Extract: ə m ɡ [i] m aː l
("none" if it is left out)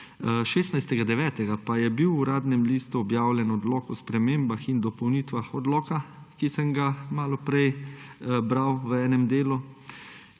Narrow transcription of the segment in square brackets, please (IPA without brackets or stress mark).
a